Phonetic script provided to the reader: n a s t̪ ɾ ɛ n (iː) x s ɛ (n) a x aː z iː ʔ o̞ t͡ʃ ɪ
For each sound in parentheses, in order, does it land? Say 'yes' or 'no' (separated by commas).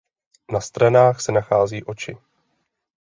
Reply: no, yes